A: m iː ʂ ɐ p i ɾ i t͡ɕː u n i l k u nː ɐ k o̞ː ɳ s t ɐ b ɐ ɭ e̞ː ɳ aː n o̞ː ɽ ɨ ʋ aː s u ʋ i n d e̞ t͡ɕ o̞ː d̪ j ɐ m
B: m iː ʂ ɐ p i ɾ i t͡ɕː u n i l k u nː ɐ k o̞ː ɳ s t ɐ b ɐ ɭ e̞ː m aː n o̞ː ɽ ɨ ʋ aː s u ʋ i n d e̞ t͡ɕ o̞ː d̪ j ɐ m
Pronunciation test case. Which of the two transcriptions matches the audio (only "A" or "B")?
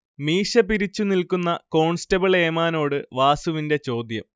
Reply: B